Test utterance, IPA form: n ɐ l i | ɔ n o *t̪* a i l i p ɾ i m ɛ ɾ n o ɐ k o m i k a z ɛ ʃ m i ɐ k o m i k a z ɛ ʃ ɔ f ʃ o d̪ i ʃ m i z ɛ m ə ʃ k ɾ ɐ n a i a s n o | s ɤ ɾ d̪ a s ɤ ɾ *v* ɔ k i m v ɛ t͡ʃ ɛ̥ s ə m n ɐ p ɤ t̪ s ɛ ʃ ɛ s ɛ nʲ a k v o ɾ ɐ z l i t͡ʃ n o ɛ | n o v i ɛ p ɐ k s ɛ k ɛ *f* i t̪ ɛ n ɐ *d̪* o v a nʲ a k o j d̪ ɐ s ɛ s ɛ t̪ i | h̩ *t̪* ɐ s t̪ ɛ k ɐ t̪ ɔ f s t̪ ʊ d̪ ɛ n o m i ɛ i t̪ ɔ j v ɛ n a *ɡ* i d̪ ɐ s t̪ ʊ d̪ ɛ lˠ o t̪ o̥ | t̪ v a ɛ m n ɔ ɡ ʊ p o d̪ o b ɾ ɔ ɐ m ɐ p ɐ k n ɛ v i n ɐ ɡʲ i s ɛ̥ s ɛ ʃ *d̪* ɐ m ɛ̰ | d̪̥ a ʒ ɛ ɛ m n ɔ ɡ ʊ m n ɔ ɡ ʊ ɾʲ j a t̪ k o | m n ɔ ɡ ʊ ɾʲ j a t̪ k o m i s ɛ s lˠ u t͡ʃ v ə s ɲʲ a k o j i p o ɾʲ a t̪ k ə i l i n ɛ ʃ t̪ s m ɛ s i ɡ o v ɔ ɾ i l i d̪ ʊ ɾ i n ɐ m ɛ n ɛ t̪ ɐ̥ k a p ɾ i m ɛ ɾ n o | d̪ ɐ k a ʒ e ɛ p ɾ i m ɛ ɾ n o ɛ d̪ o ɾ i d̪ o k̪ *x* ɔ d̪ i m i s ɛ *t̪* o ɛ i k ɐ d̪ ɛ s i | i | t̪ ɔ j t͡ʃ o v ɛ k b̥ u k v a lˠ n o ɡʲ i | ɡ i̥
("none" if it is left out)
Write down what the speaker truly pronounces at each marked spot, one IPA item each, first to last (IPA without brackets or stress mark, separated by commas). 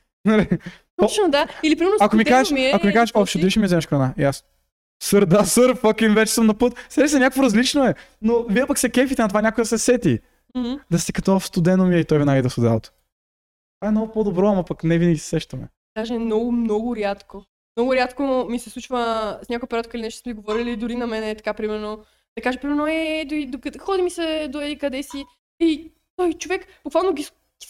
d̪, f, f, t̪, d̪, ɡ, t̪, x, d̪